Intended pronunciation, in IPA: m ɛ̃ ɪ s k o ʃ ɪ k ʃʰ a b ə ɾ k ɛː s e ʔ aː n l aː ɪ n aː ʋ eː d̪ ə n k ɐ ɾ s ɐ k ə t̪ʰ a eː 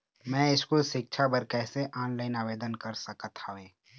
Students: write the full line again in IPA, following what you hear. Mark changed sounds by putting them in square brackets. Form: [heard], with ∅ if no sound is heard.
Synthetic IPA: m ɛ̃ ɪ s k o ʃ ɪ k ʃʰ a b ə ɾ k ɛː s e ʔ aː n l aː ɪ n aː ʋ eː d̪ ə n k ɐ ɾ s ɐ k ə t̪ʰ a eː